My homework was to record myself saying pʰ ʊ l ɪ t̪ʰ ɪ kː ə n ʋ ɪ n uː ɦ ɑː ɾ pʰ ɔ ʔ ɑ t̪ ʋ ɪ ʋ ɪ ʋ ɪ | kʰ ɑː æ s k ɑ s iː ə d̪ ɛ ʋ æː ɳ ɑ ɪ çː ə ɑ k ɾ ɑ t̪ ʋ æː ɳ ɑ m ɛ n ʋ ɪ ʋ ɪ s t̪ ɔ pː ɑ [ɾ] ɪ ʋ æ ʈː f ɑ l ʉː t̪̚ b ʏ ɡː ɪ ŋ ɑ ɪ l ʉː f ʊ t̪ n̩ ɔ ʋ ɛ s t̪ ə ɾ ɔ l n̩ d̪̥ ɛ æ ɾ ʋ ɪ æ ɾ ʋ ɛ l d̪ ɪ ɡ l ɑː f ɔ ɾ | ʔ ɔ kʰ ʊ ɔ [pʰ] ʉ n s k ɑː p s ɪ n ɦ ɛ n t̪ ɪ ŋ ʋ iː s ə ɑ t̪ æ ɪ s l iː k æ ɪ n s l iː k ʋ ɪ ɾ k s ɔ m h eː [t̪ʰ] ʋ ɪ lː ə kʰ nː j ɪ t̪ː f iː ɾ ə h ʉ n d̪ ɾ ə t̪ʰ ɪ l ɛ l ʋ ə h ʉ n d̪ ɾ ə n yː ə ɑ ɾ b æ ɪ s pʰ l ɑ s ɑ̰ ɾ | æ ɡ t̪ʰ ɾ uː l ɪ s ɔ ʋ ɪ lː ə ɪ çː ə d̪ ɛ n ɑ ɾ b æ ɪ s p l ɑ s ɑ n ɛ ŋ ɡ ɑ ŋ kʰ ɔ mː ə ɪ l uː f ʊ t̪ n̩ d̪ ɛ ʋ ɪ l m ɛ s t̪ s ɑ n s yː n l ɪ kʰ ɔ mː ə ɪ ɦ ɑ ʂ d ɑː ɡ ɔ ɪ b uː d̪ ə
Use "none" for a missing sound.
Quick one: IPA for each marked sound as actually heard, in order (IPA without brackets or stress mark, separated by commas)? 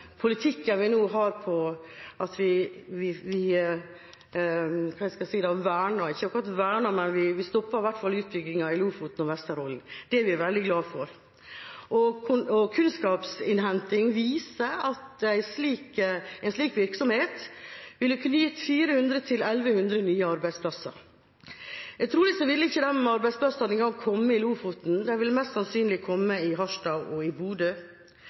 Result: ɾ, kʰ, t̪